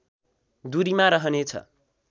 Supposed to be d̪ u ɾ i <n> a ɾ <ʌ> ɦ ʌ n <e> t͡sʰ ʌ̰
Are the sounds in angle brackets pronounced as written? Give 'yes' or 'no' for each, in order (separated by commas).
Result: no, yes, yes